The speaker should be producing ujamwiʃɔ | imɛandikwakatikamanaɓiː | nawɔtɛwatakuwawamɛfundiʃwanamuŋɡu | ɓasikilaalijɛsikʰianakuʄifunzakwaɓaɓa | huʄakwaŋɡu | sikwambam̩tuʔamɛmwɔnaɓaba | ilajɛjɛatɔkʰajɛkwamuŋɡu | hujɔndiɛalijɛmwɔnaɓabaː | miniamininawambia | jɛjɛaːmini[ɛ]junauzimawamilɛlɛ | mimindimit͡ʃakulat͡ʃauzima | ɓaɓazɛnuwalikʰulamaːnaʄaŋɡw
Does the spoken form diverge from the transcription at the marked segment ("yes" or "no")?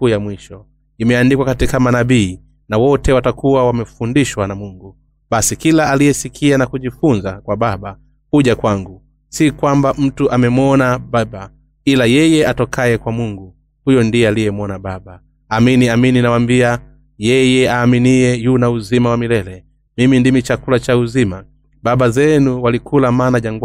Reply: no